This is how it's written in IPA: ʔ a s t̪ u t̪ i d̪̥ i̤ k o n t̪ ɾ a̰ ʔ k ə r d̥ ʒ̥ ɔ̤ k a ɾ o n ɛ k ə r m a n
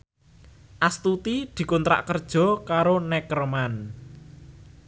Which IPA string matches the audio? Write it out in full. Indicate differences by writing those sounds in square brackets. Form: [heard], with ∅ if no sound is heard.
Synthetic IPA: ʔ a s t̪ u t̪ i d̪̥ i̤ k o n t̪ ɾ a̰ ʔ k ə r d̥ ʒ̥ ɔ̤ k a ɾ o n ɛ k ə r m a n